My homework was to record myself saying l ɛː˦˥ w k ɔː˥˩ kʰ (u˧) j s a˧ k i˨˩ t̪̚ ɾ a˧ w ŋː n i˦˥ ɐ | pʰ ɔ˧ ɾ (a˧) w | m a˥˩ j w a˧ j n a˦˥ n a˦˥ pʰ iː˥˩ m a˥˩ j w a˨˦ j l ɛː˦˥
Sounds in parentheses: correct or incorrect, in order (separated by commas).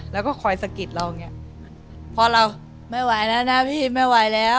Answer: incorrect, correct